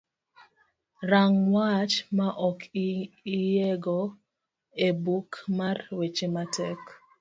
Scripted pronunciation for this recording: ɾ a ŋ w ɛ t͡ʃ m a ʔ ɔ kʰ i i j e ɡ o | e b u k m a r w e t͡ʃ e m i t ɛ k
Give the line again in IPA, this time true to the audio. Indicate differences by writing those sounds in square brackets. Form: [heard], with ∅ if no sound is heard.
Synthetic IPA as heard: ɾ a ŋ w [a] t͡ʃ m a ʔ ɔ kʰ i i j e ɡ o | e b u k m a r w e t͡ʃ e m [a] t ɛ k